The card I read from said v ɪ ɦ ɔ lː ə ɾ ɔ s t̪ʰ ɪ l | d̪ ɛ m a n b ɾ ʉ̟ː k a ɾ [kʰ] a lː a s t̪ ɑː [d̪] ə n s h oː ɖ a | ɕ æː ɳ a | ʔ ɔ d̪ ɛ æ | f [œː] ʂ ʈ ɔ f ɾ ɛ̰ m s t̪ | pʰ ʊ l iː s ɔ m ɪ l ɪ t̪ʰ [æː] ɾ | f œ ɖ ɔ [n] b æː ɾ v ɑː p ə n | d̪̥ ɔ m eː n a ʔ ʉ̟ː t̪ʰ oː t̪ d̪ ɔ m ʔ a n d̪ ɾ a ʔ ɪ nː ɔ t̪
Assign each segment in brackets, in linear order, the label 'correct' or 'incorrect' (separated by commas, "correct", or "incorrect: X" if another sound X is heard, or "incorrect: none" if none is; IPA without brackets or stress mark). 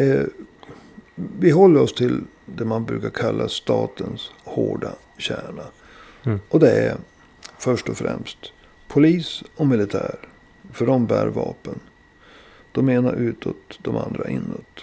correct, incorrect: t̪, incorrect: œ, correct, incorrect: m